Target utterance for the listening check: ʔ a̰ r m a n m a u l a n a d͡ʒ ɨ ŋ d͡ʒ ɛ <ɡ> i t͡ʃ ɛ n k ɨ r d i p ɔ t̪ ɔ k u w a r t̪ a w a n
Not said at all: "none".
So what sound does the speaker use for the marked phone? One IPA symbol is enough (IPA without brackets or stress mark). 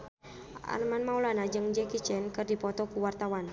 k